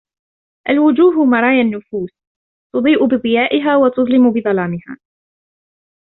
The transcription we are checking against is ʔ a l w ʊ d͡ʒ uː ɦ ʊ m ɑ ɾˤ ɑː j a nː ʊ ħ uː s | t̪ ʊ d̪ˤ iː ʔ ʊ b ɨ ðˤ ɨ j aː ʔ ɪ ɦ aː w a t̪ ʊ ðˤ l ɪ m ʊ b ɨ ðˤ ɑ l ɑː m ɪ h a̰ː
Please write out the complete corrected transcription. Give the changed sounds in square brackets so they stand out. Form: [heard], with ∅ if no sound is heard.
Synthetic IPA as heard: ʔ a l w ʊ d͡ʒ uː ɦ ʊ m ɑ ɾˤ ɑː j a nː ʊ [f] uː s | t̪ ʊ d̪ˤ iː ʔ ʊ b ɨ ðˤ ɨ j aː ʔ ɪ ɦ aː w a t̪ ʊ ðˤ l ɪ m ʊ b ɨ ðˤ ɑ l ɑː m ɪ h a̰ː